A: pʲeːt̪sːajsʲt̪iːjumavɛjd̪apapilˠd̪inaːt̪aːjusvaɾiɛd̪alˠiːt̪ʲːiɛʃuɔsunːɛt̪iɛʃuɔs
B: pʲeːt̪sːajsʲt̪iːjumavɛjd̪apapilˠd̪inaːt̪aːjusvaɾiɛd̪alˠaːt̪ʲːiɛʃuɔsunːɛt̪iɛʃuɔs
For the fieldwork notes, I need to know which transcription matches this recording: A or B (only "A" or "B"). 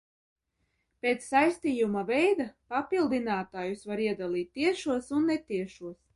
A